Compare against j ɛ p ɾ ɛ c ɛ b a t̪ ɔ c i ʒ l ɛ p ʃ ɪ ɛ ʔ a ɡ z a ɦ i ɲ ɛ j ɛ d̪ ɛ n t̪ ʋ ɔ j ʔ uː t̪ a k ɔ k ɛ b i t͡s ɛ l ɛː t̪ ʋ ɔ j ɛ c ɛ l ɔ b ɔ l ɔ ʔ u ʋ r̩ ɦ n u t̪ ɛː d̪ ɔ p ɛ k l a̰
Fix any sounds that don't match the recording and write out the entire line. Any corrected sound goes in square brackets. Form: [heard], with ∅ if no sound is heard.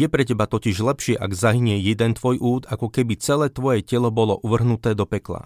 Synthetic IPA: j ɛ p ɾ ɛ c ɛ b a t̪ ɔ c i ʒ l ɛ p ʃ ɪ ɛ ʔ a ɡ z a ɦ i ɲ ɛ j ɛ d̪ ɛ n t̪ ʋ ɔ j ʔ uː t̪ a k ɔ k ɛ b i t͡s ɛ l ɛː t̪ ʋ ɔ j ɛ c ɛ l ɔ b ɔ l ɔ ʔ u ʋ r̩ ɦ n u t̪ ɛː d̪ ɔ p ɛ k l a̰